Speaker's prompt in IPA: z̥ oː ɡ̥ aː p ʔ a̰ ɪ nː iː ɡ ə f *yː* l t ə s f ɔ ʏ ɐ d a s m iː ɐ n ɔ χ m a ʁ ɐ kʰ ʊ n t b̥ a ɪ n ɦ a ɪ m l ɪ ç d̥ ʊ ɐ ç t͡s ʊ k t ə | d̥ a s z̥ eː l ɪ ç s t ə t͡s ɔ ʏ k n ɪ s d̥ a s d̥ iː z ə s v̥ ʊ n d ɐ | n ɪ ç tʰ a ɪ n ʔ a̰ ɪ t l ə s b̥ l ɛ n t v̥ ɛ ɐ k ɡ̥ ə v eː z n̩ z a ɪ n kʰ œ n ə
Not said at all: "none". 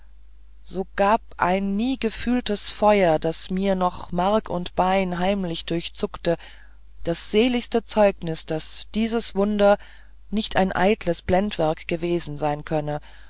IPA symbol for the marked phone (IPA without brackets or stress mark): yː